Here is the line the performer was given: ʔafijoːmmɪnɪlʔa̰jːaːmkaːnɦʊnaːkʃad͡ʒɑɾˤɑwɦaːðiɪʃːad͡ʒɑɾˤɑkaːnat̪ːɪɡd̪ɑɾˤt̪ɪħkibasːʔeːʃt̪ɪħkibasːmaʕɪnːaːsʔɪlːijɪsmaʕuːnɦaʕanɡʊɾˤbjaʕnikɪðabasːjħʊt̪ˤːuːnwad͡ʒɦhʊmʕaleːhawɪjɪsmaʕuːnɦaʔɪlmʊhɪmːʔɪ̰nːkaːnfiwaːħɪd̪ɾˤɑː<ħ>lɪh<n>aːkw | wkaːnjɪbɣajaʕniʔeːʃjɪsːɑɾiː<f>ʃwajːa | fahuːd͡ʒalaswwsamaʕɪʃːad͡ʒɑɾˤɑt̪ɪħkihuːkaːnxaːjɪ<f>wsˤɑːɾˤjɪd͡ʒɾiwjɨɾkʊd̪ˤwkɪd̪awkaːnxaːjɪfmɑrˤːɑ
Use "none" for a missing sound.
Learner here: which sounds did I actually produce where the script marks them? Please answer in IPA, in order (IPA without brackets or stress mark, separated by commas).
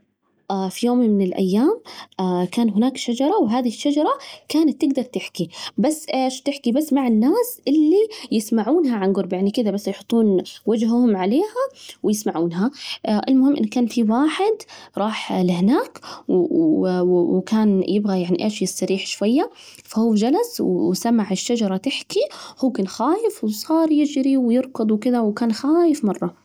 ħ, n, ħ, f